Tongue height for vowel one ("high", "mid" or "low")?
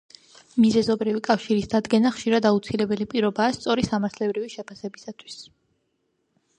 high